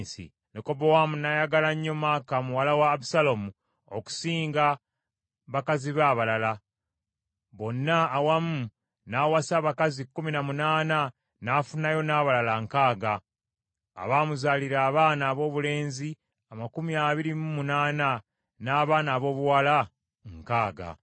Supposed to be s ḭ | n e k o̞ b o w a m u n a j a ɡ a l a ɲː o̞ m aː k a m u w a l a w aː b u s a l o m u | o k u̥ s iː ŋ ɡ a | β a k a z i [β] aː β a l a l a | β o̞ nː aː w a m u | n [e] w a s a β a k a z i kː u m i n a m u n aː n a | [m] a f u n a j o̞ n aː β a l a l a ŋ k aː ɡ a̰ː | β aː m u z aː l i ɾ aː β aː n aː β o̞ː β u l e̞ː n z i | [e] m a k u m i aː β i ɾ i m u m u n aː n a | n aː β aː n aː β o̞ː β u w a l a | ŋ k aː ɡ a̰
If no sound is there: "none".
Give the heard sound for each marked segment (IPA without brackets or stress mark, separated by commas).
β, a, n, a